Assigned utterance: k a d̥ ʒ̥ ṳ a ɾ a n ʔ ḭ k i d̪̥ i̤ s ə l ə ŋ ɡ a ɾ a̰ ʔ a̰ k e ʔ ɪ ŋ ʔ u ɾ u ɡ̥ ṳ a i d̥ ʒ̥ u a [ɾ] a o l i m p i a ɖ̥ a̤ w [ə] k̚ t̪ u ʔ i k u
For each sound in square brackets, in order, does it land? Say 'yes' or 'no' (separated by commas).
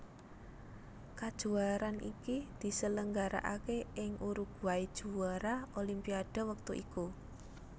yes, yes